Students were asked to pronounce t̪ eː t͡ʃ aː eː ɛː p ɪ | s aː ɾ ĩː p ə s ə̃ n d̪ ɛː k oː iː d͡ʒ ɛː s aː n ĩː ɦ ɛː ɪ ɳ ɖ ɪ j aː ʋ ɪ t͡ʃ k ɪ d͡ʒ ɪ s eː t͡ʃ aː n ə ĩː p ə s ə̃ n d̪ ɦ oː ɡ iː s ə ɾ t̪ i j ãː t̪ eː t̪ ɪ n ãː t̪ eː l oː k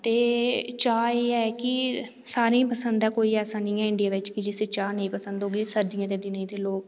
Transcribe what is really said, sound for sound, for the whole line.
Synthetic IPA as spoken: t̪ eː t͡ʃ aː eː ɛː k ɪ | s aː ɾ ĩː p ə s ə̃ n d̪ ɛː k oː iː ɛː s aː n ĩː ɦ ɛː ɪ ɳ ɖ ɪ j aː ʋ ɪ t͡ʃ k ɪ d͡ʒ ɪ s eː t͡ʃ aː n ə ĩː p ə s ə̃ n d̪ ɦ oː ɡ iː s ə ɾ d̪ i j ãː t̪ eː d̪ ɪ n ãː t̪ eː l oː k